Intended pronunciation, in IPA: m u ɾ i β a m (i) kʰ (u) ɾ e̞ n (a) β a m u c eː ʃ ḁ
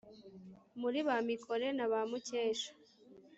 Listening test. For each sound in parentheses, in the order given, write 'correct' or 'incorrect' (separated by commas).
correct, incorrect, correct